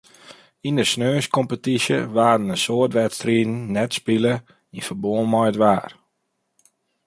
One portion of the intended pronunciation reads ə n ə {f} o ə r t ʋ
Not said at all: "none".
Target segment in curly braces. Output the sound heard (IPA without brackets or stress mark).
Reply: s